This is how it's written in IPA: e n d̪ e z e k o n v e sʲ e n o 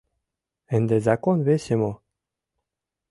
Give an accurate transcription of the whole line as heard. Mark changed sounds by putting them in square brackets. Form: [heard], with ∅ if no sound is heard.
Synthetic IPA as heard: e n d̪ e z [a] k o n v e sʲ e [m] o